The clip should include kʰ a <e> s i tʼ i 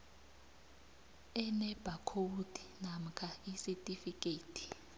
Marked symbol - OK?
no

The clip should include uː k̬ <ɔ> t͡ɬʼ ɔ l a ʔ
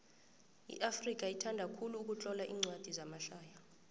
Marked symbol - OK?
no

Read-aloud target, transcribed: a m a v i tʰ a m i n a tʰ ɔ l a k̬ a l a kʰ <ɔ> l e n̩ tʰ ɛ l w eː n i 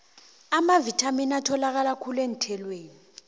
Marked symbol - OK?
no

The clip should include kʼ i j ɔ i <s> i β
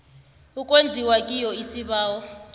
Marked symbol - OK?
yes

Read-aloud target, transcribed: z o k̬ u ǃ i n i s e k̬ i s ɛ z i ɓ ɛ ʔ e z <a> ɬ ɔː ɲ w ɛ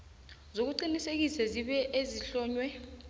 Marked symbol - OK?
no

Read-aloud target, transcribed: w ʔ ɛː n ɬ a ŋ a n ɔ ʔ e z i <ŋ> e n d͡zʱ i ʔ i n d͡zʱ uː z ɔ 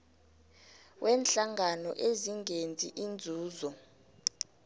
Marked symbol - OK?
yes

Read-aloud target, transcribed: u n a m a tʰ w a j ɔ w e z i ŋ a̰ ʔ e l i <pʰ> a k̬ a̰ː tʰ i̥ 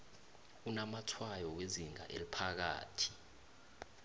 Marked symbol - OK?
yes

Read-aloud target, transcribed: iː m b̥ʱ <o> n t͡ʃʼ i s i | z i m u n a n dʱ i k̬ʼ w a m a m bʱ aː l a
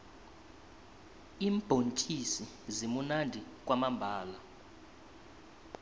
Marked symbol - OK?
yes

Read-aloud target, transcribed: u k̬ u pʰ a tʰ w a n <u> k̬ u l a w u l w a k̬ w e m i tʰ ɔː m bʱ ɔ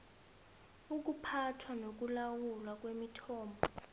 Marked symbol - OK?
no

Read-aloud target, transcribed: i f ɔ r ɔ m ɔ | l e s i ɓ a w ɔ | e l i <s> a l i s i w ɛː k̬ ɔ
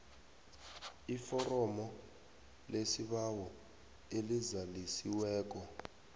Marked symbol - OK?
no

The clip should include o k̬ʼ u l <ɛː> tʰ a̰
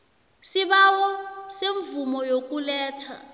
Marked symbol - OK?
yes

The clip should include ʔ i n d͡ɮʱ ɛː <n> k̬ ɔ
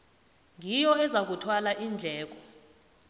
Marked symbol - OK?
no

